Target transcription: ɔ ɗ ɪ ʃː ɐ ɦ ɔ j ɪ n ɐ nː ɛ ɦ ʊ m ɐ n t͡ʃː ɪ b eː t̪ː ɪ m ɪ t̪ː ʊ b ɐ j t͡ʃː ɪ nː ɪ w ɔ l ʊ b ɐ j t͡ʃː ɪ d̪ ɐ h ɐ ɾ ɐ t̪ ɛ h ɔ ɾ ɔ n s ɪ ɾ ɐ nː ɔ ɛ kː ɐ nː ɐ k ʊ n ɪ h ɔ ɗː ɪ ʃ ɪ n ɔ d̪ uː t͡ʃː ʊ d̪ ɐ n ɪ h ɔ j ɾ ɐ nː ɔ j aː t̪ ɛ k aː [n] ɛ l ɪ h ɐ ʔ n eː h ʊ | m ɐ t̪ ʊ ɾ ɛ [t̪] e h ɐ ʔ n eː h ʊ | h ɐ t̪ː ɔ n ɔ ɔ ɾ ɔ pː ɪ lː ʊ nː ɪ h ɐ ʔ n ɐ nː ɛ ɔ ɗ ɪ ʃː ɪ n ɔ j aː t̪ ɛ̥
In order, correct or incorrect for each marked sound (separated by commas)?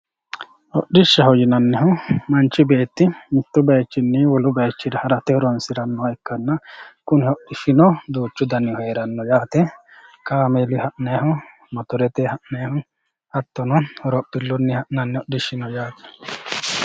incorrect, correct